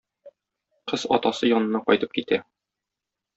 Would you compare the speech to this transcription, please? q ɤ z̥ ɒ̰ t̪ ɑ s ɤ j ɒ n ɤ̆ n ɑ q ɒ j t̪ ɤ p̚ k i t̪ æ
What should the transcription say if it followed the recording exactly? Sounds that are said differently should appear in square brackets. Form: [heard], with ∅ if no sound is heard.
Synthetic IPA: q ɤ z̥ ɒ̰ t̪ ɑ s ɤ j ɒ n ɤ̆ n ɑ q ɒ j t̪ ɤ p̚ k i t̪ æ